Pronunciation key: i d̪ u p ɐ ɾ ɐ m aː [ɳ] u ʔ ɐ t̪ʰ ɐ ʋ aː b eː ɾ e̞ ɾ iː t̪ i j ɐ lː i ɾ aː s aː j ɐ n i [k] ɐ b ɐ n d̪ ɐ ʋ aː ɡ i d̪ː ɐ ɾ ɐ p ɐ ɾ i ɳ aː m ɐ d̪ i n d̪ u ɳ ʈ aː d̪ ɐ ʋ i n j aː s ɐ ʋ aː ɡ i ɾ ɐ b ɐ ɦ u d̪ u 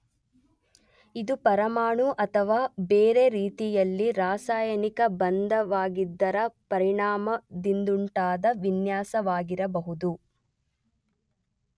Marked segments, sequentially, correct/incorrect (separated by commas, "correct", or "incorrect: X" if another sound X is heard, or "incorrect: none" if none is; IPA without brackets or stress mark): correct, correct